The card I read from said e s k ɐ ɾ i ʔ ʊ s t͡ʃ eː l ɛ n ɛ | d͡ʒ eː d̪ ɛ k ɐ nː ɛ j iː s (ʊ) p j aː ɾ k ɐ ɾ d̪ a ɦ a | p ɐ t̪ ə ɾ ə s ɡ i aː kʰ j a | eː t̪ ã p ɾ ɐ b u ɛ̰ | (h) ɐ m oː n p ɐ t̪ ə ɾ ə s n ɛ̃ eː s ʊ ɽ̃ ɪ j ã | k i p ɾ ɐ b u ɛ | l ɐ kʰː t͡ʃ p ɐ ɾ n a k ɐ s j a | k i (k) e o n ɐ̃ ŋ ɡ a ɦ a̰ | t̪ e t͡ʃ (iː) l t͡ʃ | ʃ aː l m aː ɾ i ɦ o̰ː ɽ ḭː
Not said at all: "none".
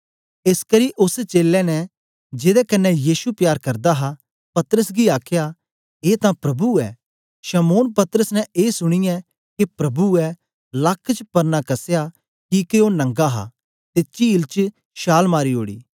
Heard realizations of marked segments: u, ʃ, k, iː

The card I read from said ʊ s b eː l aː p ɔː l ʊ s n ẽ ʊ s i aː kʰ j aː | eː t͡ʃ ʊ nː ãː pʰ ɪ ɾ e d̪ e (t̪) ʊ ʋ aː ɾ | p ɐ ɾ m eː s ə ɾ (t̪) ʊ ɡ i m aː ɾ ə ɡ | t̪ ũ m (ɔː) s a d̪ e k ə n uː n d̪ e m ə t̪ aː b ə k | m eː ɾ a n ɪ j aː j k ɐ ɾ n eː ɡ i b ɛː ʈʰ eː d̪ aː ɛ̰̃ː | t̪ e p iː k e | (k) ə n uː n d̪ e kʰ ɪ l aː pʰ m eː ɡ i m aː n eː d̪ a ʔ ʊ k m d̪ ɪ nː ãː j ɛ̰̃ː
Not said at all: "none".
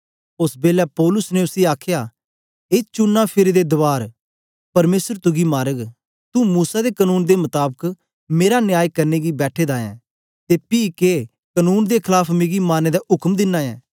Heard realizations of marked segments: d̪, t̪, uː, k

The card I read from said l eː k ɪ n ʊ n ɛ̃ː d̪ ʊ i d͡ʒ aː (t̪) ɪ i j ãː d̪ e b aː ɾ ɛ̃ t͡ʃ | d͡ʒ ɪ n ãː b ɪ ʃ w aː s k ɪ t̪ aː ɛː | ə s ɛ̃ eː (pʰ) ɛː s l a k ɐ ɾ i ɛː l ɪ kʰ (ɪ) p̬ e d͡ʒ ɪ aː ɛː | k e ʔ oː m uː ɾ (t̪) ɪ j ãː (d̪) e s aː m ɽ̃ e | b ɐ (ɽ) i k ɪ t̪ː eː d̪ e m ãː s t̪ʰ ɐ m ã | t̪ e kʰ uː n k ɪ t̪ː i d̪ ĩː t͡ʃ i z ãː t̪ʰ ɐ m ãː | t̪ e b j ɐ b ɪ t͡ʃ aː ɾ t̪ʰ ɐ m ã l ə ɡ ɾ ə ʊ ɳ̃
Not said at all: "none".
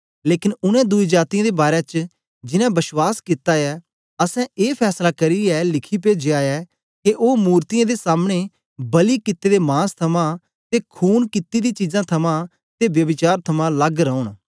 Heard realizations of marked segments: t̪, pʰ, i, t̪, d̪, l

